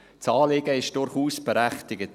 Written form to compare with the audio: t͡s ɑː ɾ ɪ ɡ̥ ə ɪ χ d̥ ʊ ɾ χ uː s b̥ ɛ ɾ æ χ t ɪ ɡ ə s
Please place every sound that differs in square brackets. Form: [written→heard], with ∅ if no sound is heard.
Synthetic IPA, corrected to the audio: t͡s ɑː [ɾ→l] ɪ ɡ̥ ə ɪ [χ→ʃ] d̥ ʊ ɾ χ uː s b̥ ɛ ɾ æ χ t ɪ ɡ ə [s→t]